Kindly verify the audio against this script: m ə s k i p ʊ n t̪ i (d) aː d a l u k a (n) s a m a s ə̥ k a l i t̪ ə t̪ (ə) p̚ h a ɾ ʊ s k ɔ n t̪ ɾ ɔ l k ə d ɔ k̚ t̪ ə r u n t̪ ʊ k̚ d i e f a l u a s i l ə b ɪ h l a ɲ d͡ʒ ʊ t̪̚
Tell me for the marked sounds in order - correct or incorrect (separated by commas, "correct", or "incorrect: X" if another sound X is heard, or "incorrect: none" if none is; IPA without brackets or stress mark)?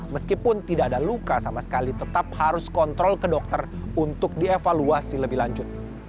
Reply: correct, incorrect: none, incorrect: a